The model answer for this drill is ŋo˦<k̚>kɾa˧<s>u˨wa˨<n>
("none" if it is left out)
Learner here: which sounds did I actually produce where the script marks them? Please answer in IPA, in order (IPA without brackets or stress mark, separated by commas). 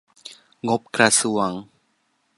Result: p̚, s, ŋ